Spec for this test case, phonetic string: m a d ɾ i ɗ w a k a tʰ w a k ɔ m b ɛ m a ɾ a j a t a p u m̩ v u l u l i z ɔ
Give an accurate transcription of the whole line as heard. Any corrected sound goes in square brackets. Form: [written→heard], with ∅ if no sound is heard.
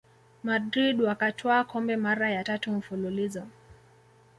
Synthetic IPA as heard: m a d ɾ i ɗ w a k a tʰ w a k ɔ m b ɛ m a ɾ a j a t a [p→t] u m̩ [v→f] u l u l i z ɔ